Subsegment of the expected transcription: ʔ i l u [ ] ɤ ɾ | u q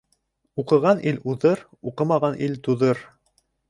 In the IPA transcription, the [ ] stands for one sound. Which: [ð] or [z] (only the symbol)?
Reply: ð